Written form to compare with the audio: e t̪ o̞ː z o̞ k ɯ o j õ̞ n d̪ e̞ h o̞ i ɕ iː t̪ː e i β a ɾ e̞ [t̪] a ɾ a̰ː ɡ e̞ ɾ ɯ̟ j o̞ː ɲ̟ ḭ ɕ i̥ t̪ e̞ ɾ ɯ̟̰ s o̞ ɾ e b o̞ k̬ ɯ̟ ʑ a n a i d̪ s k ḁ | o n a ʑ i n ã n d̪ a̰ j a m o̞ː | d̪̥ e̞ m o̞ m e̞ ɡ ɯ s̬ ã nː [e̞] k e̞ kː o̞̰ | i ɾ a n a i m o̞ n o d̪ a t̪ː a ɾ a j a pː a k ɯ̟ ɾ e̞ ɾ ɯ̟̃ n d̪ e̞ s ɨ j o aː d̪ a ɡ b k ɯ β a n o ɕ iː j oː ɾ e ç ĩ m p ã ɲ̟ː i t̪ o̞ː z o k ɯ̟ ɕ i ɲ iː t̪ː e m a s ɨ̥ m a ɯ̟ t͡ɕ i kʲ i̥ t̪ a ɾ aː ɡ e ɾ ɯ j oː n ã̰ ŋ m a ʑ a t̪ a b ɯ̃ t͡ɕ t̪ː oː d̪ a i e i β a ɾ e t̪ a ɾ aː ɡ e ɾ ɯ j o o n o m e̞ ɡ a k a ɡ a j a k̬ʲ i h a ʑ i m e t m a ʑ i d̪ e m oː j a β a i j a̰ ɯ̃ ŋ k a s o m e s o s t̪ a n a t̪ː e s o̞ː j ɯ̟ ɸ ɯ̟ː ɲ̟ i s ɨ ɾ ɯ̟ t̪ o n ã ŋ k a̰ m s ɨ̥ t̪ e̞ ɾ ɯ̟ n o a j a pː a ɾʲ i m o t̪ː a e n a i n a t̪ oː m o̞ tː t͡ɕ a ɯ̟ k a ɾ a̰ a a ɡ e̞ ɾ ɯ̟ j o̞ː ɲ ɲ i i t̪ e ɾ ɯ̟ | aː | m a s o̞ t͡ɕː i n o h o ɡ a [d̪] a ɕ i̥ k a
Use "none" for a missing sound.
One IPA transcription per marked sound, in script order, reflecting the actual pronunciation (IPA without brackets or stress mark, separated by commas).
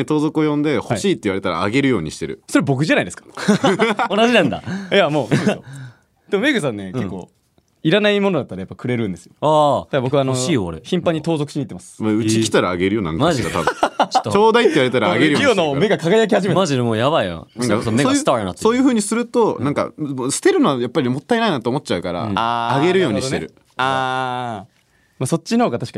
t̪, e̞, t̪